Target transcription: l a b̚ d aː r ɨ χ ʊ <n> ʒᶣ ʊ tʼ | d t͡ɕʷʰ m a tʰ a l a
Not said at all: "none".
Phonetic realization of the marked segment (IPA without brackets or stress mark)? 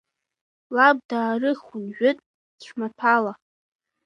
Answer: n